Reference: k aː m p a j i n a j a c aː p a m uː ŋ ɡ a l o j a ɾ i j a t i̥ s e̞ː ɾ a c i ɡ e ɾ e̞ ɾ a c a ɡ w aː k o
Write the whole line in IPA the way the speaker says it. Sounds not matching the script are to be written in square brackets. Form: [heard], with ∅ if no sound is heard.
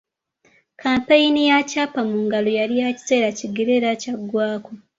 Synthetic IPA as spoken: k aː m p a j i n [i] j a c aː p a m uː ŋ ɡ a l o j a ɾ i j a [c] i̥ s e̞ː ɾ a c i ɡ e ɾ e̞ ɾ a c a ɡ w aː k o